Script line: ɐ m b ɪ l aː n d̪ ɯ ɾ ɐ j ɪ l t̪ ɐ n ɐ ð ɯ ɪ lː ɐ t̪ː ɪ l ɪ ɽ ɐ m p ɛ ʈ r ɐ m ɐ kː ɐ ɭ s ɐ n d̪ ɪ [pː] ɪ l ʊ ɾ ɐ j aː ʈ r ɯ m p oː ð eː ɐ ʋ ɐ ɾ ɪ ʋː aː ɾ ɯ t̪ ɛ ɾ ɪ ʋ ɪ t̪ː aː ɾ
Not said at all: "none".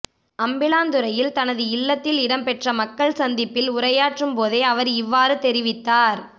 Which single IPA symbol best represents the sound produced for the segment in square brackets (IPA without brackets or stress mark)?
pː